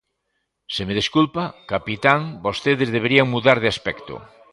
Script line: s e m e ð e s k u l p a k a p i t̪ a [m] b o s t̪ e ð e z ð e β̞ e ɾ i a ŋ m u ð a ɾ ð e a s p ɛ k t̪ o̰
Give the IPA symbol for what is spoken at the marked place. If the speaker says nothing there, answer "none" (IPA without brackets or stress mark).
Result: ŋ